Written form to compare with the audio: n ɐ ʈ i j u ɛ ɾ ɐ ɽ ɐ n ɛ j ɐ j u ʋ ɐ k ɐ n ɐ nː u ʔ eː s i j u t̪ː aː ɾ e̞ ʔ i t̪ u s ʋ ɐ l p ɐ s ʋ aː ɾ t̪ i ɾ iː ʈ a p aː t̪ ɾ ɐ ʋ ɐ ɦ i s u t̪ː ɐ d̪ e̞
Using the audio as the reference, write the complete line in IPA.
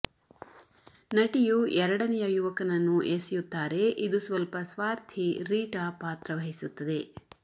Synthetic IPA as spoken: n ɐ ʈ i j u ɛ ɾ ɐ ɽ ɐ n ɛ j ɐ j u ʋ ɐ k ɐ n ɐ nː u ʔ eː s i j u t̪ː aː ɾ e̞ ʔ i d̪ u s ʋ ɐ l p ɐ s ʋ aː ɾ t̪ʰ i ɾ iː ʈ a p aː t̪ ɾ ɐ ʋ ɐ ɦ i s u t̪ː ɐ d̪ e̞